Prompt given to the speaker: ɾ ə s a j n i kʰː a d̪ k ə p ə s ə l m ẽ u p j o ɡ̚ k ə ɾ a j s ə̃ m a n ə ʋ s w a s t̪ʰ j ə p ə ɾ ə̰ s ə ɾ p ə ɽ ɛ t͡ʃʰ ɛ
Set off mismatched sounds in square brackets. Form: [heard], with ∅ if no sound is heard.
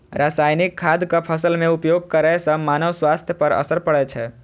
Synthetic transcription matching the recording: ɾ [a] s a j n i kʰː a d̪ k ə [pʰ] ə s ə l m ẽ u p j o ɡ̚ k ə ɾ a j s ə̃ m a n ə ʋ s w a s t̪ʰ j ə p ə ɾ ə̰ s ə ɾ p ə ɽ ɛ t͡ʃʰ ɛ